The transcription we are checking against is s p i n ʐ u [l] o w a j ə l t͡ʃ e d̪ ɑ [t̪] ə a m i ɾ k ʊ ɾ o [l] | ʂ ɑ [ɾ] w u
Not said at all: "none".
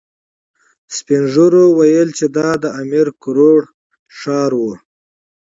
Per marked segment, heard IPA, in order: ɾ, d̪, ɽ, ɾ

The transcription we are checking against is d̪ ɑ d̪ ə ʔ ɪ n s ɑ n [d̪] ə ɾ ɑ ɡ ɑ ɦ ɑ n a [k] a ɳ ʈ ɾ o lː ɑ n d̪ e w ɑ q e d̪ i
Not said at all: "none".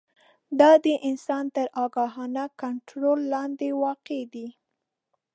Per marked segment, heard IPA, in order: t̪, k

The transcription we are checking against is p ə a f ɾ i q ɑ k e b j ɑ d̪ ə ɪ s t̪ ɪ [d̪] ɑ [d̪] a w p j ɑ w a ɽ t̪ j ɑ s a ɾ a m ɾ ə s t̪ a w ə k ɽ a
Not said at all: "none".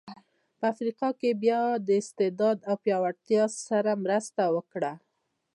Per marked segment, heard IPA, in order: d̪, d̪

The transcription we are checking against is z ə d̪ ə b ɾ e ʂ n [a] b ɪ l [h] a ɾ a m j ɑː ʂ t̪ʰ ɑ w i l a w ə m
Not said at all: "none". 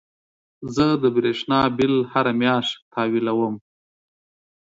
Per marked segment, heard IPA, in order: ɑ, h

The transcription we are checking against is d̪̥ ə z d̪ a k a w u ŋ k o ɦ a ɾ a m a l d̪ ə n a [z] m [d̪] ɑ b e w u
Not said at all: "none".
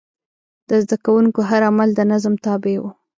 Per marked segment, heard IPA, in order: z, t̪

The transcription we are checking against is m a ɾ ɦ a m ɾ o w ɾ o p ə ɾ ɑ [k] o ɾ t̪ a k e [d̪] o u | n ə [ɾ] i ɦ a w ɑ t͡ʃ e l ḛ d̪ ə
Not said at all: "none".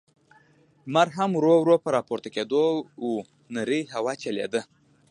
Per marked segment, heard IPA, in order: p, d̪, ɾ

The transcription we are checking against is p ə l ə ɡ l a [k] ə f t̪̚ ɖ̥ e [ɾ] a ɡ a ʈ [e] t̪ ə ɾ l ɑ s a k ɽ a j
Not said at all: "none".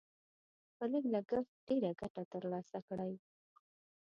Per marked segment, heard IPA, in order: ɡ, ɾ, a

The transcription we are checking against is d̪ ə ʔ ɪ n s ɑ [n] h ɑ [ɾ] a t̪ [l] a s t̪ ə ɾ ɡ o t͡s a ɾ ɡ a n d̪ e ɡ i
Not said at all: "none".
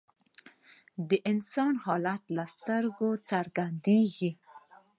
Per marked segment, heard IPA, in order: n, l, l

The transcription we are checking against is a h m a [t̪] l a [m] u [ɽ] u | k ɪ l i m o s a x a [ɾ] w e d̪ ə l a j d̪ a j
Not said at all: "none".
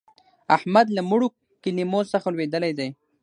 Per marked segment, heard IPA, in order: d̪, m, ɽ, l

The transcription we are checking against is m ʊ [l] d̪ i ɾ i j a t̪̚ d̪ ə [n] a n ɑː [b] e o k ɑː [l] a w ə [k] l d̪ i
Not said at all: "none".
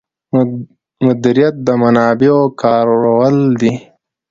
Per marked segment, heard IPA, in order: none, m, b, ɾ, none

